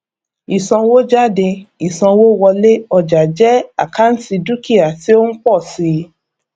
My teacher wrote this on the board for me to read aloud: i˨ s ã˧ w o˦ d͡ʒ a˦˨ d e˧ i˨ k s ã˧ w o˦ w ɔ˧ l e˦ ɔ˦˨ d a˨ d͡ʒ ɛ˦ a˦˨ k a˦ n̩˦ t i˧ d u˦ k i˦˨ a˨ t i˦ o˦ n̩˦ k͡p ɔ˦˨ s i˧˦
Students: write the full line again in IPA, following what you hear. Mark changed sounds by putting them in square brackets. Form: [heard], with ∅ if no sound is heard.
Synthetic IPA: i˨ s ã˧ w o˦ d͡ʒ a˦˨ d e˧ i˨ [∅] s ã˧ w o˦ w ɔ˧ l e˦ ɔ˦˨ [d͡ʒ] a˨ d͡ʒ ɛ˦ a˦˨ k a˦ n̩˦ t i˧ d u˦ k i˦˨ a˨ t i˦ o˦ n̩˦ k͡p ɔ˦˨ s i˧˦